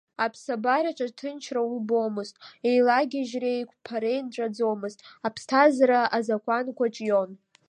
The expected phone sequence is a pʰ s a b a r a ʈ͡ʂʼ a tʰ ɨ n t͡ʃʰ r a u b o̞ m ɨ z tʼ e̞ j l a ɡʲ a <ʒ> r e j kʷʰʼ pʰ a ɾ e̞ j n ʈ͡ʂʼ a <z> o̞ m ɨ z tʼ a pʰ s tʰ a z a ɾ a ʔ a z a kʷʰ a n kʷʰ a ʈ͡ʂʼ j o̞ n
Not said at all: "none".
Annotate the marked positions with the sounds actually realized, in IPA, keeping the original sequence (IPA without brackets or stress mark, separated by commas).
ʒ, d͡z